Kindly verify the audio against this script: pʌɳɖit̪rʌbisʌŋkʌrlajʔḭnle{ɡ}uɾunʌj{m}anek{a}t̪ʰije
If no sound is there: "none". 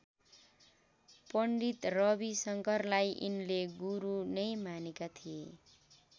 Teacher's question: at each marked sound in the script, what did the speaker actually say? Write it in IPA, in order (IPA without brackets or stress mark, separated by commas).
ɡ, m, a